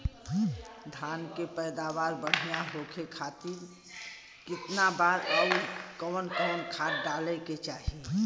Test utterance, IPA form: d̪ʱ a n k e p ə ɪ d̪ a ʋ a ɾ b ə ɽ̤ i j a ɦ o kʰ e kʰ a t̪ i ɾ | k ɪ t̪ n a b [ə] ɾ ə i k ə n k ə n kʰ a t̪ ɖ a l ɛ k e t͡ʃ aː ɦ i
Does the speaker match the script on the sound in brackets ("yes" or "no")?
no